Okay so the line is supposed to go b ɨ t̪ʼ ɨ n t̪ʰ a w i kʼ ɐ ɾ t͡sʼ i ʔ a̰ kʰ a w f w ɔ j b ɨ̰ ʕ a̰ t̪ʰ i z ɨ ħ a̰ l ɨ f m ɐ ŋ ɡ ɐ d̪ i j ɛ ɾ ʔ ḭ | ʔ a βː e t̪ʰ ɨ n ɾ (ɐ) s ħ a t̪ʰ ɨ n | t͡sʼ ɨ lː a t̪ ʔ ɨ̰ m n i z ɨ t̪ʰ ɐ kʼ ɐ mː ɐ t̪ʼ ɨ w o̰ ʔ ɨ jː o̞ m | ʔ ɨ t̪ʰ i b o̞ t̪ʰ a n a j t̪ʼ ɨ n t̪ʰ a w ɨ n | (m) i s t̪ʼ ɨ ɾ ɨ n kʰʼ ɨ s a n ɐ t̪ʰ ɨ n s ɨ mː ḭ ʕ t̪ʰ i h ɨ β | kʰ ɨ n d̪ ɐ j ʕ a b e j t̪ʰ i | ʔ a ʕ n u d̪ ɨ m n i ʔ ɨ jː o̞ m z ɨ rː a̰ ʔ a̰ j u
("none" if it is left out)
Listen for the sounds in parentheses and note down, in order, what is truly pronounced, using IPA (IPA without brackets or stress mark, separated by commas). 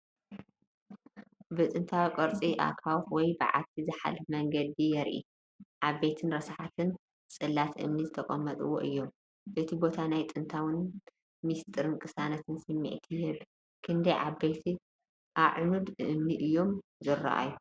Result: ɐ, m